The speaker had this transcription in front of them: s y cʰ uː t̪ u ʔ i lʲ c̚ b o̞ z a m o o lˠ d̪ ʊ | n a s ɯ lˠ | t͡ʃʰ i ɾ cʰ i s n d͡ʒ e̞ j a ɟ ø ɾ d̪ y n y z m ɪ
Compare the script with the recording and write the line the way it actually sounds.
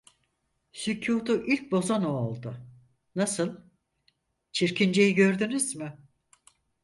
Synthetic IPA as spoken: s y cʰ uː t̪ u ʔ i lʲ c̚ b o̞ z a n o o lˠ d̪ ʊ | n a s ɯ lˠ | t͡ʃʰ i ɾ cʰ i n d͡ʒ e̞ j i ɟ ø ɾ d̪ y n y z m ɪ